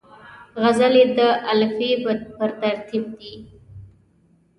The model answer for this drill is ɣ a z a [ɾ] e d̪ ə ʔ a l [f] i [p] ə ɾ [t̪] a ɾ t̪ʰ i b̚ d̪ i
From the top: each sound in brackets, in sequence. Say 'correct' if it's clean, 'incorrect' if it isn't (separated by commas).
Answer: incorrect, correct, correct, correct